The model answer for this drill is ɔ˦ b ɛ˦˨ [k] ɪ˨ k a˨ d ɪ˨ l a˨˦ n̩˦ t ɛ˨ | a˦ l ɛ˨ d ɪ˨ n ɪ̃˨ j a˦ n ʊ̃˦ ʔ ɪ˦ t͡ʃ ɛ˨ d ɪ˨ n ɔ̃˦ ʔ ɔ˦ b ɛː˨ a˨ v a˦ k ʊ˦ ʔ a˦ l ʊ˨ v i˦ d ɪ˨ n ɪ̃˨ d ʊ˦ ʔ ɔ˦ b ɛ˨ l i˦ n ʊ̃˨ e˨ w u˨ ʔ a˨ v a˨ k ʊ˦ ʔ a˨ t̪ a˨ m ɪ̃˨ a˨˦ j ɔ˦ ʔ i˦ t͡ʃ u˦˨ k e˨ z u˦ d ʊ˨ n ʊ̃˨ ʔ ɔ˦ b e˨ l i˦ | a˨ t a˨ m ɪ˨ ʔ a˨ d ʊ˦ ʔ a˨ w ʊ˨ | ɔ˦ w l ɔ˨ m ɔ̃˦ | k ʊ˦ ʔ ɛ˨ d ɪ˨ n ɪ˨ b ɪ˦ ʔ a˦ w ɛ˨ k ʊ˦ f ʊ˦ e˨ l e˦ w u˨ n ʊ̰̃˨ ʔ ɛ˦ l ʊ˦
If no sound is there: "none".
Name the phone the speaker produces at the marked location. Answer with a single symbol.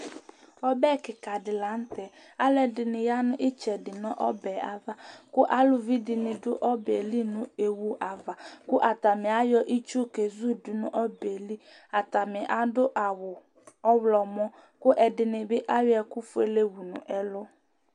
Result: k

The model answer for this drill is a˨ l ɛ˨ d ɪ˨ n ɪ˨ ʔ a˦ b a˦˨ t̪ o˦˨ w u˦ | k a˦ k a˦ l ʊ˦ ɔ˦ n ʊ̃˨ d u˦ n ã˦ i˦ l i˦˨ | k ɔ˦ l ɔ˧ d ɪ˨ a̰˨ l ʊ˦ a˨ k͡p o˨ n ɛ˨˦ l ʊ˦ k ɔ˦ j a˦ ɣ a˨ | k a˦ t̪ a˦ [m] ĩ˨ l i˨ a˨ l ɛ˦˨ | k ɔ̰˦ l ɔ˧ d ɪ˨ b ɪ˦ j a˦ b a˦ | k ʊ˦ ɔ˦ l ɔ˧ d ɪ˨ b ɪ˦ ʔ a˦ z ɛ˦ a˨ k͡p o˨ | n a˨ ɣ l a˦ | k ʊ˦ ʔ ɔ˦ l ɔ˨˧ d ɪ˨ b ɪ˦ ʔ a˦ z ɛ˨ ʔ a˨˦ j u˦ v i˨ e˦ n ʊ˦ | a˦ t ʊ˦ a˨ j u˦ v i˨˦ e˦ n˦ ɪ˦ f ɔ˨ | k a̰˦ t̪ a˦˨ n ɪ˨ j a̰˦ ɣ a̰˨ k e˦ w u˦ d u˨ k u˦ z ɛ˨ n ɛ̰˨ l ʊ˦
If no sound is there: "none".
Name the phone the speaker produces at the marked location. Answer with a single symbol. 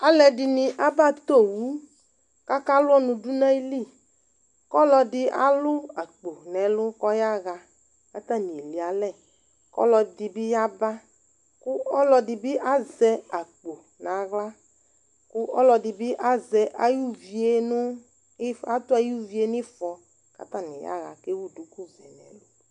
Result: n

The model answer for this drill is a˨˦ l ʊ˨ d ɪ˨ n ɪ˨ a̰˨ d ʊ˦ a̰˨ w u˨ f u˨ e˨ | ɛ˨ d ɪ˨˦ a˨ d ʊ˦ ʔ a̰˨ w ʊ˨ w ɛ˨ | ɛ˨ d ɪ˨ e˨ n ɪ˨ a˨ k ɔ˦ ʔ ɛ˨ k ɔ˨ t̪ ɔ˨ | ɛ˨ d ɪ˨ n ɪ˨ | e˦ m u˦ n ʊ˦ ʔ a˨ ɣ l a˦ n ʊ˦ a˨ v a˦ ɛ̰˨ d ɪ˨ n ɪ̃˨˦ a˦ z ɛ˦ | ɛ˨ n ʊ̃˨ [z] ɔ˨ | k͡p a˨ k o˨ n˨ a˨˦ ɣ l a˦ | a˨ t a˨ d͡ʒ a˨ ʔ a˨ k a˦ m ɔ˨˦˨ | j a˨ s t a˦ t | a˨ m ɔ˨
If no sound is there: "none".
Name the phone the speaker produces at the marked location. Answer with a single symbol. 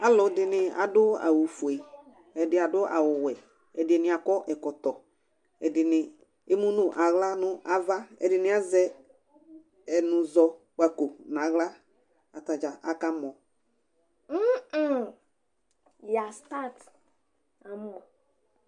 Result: z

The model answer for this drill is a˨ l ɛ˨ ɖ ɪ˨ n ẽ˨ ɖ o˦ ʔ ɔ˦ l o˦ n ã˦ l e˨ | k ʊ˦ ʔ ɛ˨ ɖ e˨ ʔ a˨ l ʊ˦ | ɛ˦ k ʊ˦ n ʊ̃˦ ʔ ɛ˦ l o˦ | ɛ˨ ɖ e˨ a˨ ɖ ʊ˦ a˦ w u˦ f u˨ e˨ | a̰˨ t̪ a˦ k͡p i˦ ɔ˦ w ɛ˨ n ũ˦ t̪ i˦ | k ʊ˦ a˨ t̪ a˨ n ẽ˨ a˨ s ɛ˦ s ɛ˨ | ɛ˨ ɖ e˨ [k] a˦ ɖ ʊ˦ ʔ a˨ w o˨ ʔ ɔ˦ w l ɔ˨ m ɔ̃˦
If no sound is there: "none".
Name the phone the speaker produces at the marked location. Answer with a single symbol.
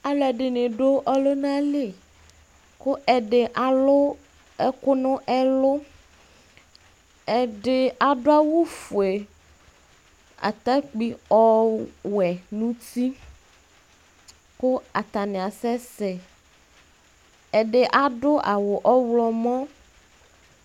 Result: ʔ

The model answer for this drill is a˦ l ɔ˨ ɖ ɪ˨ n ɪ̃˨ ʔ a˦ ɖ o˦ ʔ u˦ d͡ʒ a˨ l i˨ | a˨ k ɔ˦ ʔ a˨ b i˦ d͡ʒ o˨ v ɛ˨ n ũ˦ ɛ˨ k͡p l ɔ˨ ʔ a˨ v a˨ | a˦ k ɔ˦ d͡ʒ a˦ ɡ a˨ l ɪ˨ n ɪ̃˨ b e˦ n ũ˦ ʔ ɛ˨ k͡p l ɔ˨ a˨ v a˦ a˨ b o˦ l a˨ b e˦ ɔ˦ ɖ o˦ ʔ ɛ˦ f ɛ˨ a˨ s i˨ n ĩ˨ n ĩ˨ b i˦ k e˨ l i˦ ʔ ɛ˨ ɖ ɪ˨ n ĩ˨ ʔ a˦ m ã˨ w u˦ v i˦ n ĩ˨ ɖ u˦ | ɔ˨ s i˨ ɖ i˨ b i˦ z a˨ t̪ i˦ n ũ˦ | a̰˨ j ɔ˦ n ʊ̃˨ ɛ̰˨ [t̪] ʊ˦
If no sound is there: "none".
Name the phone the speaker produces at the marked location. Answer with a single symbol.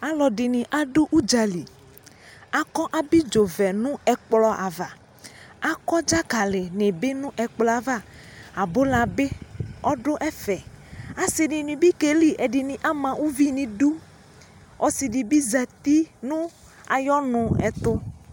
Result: t̪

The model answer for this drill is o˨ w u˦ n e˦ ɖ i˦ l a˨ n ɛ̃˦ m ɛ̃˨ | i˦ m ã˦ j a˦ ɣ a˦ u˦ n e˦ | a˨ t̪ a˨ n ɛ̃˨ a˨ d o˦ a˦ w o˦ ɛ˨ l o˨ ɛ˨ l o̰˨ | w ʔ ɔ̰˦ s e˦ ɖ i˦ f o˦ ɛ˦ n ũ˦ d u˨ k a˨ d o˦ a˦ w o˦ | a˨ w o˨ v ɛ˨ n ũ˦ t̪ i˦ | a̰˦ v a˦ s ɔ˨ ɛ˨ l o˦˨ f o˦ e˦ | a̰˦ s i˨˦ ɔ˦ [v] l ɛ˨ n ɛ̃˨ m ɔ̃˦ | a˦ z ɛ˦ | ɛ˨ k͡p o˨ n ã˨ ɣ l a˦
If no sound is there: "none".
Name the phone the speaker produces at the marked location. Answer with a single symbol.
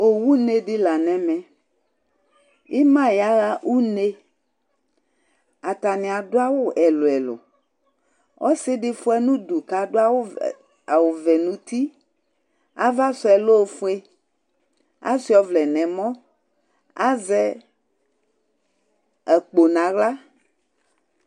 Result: v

